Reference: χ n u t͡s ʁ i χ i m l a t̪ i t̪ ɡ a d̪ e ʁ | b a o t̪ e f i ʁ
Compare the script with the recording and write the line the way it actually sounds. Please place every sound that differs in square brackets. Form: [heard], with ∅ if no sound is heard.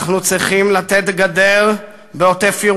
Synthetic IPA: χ n u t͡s ʁ i χ i m l a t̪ [e] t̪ ɡ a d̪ e ʁ | b [e] o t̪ e f i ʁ